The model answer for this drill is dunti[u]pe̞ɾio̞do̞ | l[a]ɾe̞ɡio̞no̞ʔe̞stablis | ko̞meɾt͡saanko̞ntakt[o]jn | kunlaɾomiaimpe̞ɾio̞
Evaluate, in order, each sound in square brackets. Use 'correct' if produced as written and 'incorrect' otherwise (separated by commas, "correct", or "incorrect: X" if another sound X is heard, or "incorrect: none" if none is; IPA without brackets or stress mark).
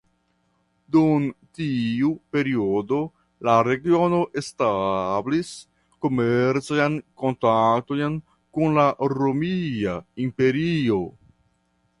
correct, correct, correct